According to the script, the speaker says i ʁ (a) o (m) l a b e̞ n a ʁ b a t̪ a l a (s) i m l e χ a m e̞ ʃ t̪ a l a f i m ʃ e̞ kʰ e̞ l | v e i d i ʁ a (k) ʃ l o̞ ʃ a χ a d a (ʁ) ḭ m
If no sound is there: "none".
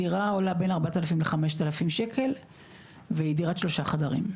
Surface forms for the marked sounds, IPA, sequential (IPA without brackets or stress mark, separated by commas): a, none, f, t, ʁ